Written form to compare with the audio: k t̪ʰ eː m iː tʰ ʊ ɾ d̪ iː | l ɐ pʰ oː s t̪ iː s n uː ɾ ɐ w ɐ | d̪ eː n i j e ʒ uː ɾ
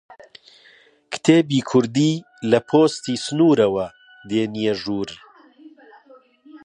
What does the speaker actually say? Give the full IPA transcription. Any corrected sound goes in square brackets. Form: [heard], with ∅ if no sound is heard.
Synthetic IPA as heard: k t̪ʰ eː [b] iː [kʰ] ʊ ɾ d̪ iː | l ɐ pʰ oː s t̪ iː s n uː ɾ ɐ w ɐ | d̪ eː n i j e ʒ uː ɾ